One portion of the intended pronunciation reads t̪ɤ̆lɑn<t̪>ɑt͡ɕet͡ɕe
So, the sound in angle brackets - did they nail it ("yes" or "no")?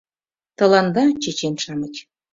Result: no